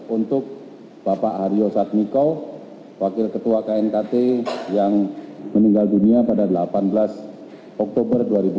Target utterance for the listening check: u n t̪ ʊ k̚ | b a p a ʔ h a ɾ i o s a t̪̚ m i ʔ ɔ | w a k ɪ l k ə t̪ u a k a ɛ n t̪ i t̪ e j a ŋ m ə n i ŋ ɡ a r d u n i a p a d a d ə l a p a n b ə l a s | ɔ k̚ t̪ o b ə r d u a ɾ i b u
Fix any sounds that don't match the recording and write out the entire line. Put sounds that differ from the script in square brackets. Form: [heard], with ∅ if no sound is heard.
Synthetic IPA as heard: u n t̪ ʊ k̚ | b a p a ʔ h a ɾ i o s a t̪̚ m i [k] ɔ | w a k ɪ l k ə t̪ u a k a ɛ n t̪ [a] t̪ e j a ŋ m ə n i ŋ ɡ a [l] d u n i a p a d a d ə l a p a n b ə l a s | ɔ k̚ t̪ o b ə r d u a ɾ i b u